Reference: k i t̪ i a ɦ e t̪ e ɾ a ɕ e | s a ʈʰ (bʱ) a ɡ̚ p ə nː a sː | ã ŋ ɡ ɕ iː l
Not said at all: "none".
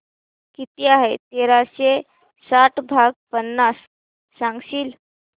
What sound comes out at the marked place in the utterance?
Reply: bʱ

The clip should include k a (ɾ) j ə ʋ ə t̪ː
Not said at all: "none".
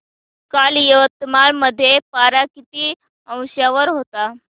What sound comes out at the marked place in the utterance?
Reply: l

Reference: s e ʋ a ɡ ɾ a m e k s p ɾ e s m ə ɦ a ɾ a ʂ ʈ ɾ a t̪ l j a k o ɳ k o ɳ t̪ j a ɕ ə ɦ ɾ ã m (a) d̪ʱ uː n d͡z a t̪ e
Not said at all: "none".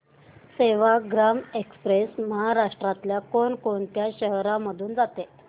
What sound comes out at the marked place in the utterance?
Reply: ə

